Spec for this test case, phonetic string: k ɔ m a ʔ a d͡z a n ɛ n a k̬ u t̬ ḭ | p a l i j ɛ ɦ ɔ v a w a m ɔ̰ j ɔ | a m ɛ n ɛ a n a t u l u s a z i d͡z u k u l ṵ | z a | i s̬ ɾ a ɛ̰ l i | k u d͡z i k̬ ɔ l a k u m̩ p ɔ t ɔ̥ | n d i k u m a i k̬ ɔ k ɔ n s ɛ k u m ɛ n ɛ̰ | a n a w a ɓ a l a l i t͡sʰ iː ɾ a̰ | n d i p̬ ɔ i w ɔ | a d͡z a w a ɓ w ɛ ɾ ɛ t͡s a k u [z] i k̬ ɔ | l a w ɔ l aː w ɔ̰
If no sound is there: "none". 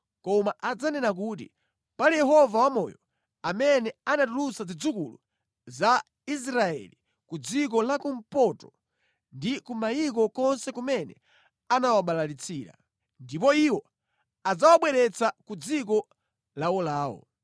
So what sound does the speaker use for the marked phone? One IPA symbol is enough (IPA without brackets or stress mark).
d͡z